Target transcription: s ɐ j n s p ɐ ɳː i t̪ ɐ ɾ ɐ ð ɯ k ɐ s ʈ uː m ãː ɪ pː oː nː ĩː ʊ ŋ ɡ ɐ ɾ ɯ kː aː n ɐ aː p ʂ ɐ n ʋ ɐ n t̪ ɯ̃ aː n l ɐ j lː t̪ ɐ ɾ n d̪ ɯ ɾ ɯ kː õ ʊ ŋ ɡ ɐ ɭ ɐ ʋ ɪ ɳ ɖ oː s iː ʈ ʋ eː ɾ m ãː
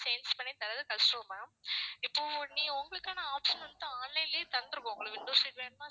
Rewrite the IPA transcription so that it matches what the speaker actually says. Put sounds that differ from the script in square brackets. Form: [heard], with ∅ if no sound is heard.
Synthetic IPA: s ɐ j n s p ɐ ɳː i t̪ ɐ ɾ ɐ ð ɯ k ɐ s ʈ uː m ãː ɪ pː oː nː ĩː ʊ ŋ ɡ ɐ [ɭ] ɯ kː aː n ɐ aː p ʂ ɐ n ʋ ɐ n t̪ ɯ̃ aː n l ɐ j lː t̪ ɐ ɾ n d̪ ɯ ɾ ɯ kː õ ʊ ŋ ɡ ɐ ɭ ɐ ʋ ɪ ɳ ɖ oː s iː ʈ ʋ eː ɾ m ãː